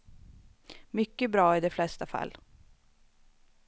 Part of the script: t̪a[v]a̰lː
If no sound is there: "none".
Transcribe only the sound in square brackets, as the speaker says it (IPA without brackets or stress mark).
f